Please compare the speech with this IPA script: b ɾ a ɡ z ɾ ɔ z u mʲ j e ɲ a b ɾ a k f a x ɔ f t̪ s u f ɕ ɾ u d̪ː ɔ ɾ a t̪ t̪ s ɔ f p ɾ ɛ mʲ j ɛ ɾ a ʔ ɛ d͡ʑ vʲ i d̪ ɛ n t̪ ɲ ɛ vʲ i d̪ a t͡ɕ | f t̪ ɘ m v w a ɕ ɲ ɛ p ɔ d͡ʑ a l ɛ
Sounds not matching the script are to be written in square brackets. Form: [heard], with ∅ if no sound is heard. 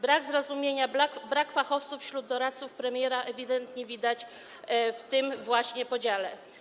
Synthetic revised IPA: b ɾ a ɡ z ɾ ɔ z u mʲ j e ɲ a b ɾ a k f a x ɔ f t̪ s u f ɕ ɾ u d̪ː ɔ ɾ a t̪ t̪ s [u] f p ɾ ɛ mʲ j ɛ ɾ a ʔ ɛ [∅] vʲ i d̪ ɛ n t̪ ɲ ɛ vʲ i d̪ a t͡ɕ | f t̪ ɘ m v w a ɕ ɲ ɛ p ɔ d͡ʑ a l ɛ